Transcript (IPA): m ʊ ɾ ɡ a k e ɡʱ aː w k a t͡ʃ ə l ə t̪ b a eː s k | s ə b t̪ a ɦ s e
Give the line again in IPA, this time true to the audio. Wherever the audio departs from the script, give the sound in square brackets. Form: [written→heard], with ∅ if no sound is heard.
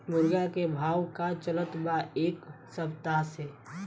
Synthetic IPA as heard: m ʊ ɾ ɡ a k e [ɡʱ→bʱ] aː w k a t͡ʃ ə l ə t̪ b a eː [s→∅] k | s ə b t̪ a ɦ s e